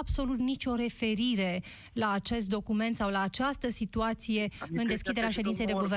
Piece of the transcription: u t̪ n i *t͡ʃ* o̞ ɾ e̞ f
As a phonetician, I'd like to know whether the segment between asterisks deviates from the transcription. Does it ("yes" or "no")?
no